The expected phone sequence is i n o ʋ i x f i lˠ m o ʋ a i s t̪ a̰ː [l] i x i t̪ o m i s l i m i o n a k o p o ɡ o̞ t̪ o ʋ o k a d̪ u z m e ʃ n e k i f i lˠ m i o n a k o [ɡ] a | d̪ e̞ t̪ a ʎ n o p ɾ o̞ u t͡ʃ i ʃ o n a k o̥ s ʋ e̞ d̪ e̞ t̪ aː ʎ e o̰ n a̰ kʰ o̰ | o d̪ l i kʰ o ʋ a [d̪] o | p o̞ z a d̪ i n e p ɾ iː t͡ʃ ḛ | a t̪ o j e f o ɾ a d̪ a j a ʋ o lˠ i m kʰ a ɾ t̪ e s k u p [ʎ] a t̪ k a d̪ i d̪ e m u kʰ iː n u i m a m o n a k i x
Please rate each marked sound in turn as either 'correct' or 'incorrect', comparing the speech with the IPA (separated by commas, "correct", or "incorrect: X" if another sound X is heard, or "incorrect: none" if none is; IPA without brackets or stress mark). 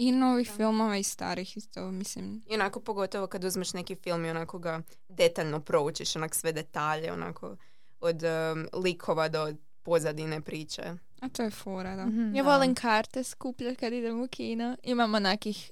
incorrect: ɾ, correct, correct, correct